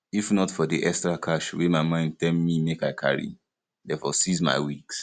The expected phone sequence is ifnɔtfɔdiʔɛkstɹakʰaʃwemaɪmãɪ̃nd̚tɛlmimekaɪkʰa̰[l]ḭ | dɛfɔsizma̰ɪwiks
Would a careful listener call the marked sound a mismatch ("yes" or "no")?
yes